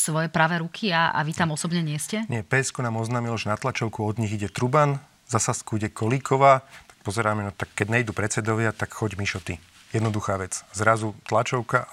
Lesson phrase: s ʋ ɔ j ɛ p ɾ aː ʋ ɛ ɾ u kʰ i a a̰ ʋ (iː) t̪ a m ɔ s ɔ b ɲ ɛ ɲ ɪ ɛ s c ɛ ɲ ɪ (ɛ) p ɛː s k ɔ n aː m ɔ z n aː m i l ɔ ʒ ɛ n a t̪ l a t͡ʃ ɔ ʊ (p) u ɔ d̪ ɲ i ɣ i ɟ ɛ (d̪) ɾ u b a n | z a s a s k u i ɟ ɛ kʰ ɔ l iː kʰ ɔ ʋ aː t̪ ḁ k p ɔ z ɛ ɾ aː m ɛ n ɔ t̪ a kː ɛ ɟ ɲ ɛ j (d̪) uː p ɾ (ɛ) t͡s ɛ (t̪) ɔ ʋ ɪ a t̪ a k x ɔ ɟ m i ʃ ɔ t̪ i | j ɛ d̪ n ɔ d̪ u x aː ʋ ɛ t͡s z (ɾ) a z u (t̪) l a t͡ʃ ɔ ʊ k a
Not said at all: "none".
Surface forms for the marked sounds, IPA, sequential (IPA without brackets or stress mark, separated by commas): i, ɛ, k, t̪, d̪, ɛ, d̪, ɾ, t̪